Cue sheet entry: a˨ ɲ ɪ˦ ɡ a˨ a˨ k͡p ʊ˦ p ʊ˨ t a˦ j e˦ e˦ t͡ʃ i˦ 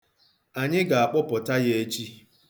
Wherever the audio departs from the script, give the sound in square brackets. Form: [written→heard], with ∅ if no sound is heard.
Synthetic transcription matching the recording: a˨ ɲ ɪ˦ ɡ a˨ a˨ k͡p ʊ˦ p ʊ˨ t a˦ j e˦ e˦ t͡ʃ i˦